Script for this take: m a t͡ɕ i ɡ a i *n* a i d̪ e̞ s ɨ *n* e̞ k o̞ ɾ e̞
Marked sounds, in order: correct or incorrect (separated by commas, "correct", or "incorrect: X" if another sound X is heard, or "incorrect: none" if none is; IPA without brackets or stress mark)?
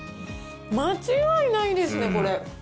correct, correct